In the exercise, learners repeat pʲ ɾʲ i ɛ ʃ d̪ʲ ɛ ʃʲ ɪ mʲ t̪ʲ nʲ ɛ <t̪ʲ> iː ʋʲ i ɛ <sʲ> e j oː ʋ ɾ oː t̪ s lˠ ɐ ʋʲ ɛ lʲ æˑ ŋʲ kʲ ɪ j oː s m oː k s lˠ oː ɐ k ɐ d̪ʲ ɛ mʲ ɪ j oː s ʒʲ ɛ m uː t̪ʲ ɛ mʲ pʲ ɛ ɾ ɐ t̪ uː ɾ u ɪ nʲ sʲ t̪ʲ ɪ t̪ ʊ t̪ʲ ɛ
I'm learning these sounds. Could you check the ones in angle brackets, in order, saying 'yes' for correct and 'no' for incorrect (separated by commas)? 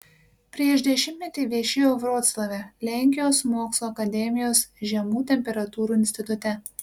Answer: yes, no